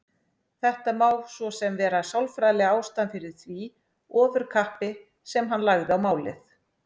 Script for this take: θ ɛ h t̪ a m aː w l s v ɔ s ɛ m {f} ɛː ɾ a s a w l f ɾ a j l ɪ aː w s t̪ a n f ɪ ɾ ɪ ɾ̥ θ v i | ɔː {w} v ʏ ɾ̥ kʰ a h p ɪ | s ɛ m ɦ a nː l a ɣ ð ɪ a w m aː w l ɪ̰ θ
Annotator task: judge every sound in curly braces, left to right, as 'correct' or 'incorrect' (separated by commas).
incorrect, incorrect